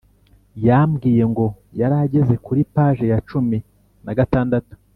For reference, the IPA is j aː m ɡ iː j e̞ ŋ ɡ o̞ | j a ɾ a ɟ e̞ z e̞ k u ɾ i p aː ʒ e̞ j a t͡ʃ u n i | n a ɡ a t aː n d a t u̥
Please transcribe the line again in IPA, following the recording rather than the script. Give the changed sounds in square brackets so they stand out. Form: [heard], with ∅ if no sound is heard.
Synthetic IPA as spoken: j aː m ɡ iː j e̞ ŋ ɡ o̞ | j a ɾ a ɟ e̞ z e̞ k u ɾ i p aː ʒ e̞ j a t͡ʃ u [m] i | n a ɡ a t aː n d a t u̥